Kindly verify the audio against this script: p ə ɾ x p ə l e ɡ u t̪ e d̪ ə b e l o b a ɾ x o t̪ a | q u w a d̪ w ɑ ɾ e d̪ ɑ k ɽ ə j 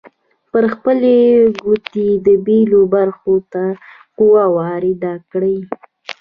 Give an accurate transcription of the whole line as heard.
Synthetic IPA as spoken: p ə ɾ x p ə l e ɡ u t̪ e d̪ ə b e l o b a ɾ x o t̪ a | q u w a w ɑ ɾ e d̪ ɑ k ɽ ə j